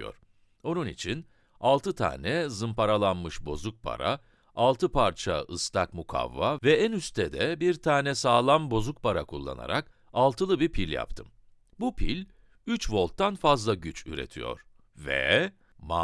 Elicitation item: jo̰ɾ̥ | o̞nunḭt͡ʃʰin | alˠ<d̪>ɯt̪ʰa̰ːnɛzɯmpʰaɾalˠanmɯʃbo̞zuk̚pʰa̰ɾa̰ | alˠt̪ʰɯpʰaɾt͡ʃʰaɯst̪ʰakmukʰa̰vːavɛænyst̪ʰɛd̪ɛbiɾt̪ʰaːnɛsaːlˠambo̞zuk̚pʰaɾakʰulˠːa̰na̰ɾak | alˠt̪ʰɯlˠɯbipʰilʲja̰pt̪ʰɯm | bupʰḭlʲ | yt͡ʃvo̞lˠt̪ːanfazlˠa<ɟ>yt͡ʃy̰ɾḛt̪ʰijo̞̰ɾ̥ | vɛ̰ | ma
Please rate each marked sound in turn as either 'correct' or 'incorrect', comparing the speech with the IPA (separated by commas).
incorrect, correct